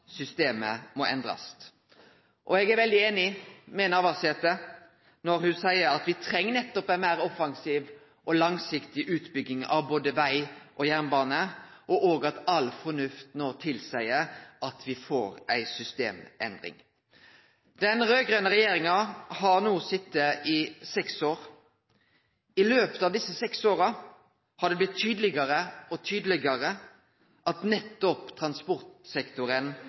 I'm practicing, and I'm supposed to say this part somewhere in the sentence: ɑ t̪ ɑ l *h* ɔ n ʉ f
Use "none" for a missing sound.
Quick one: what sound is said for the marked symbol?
f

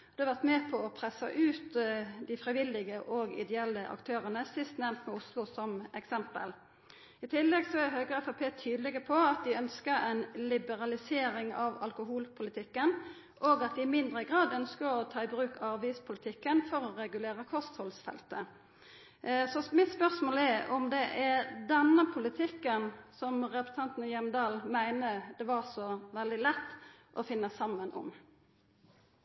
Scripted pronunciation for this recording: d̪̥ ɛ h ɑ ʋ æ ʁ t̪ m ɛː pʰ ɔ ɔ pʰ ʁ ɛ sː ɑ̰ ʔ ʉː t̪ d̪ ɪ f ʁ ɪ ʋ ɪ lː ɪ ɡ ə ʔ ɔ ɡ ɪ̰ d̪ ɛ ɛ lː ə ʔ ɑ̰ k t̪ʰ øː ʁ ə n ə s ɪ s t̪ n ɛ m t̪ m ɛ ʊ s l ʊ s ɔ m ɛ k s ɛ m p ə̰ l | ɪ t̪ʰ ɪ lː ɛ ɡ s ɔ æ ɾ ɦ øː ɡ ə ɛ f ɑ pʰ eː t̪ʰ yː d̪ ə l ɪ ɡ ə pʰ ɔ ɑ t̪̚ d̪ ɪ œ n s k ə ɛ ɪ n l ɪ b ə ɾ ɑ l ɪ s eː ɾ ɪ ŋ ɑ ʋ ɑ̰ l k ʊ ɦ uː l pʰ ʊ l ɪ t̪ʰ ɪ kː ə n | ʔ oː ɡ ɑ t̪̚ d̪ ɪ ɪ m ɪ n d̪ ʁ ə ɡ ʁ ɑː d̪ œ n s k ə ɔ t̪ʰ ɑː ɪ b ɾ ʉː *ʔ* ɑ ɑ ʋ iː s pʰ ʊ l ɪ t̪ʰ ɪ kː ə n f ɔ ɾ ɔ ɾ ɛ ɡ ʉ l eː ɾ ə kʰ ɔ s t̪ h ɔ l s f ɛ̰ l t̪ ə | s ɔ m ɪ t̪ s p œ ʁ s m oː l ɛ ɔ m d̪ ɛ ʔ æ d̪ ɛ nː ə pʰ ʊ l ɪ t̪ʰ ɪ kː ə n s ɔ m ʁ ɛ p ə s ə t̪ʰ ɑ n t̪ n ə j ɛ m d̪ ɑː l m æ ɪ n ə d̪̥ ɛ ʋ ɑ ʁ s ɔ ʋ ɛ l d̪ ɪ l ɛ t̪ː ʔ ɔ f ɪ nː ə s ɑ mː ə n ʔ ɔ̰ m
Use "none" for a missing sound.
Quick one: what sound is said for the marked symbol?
k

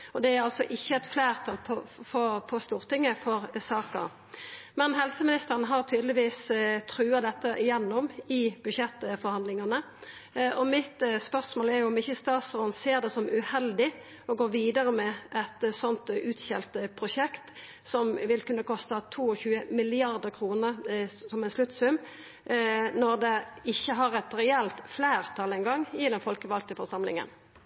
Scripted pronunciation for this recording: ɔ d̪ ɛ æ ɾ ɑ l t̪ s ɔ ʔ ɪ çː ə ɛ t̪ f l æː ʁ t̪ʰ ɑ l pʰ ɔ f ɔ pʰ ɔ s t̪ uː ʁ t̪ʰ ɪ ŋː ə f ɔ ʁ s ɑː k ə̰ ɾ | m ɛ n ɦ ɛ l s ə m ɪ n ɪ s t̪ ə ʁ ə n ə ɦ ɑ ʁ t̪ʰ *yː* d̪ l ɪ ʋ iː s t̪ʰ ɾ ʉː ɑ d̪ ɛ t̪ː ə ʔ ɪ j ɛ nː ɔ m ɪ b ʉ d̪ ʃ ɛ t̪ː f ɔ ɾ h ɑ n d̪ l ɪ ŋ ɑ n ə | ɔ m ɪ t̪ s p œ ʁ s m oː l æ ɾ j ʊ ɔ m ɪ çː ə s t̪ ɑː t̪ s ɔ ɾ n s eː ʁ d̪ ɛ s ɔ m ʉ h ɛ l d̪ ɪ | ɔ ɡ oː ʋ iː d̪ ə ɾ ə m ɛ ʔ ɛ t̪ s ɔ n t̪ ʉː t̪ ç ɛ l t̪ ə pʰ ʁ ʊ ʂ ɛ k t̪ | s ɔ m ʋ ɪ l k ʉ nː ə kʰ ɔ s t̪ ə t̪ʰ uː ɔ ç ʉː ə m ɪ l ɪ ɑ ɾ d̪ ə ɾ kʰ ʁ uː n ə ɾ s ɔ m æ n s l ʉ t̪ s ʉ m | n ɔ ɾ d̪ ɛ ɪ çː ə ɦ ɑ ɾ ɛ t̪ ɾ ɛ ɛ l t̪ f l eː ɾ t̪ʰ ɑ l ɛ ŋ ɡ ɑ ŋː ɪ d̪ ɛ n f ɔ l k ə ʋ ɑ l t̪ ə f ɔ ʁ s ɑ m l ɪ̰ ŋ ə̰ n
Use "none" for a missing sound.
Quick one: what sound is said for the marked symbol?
yː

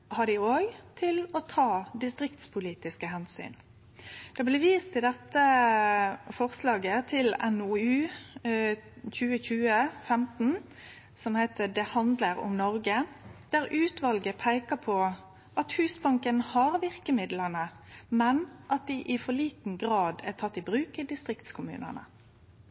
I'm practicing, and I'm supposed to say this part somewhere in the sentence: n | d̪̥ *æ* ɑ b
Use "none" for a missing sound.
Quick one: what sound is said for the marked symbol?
ɛ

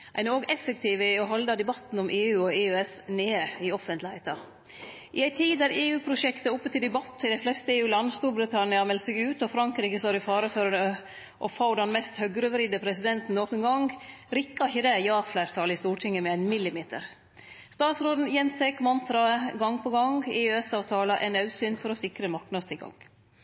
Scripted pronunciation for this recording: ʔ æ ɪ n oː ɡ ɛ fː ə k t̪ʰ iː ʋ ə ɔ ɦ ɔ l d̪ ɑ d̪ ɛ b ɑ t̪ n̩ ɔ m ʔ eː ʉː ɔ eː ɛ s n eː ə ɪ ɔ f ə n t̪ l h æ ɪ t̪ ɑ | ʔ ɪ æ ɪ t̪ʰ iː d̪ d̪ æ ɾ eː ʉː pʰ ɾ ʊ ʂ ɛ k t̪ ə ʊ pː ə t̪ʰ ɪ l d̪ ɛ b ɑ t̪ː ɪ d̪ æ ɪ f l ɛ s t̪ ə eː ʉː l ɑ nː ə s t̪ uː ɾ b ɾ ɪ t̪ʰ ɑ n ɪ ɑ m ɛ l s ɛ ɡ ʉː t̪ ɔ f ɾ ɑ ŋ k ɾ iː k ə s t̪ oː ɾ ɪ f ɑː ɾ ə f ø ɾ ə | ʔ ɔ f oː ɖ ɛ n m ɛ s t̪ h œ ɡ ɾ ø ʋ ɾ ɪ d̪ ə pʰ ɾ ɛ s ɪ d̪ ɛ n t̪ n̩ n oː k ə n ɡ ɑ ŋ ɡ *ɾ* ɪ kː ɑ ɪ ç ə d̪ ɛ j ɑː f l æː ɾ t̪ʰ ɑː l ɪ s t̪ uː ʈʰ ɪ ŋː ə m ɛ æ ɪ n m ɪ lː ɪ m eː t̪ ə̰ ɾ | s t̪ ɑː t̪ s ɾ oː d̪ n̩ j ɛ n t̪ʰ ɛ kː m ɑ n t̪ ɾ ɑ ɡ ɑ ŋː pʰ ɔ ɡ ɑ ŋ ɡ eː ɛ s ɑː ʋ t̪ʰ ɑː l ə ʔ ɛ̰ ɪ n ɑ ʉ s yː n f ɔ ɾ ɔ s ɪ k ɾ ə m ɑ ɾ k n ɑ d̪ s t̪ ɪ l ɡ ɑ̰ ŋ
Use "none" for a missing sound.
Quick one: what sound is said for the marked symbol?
ɾ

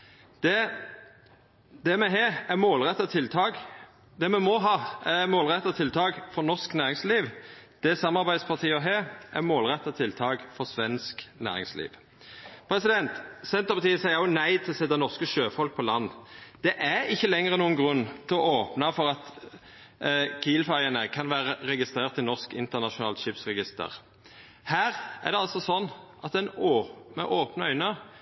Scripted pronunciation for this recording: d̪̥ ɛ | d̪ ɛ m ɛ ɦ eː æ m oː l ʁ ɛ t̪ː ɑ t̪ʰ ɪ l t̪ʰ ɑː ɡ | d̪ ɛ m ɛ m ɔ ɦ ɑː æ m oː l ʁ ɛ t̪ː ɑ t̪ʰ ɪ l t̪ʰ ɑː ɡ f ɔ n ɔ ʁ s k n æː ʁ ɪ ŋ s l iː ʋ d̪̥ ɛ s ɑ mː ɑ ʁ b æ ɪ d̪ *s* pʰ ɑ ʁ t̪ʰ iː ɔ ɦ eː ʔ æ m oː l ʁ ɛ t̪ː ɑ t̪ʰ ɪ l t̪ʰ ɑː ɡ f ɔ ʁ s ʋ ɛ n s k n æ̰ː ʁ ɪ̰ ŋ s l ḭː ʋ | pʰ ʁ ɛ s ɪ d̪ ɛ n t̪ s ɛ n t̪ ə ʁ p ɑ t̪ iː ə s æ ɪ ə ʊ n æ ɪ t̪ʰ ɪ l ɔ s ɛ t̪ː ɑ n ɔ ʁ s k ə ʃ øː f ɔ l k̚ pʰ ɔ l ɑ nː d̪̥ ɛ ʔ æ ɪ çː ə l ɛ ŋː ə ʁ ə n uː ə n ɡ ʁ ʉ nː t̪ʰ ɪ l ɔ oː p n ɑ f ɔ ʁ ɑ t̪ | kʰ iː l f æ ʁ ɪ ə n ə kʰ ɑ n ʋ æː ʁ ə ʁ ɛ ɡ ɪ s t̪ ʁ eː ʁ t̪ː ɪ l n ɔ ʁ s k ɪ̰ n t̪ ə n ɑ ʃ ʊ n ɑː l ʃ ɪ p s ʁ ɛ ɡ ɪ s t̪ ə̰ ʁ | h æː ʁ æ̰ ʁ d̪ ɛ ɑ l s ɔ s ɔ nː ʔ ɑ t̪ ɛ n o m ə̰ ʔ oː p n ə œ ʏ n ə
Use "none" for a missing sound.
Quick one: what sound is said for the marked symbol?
s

